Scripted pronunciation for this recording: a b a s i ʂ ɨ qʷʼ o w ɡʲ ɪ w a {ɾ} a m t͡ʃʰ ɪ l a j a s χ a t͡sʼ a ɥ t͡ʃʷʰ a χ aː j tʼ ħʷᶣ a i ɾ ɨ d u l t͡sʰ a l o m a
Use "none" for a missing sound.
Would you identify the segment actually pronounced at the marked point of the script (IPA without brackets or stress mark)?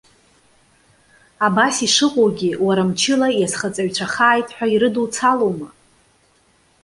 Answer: ɾ